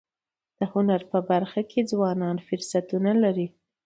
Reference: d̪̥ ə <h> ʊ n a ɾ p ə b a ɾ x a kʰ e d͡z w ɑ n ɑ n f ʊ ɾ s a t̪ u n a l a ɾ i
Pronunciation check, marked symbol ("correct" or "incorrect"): correct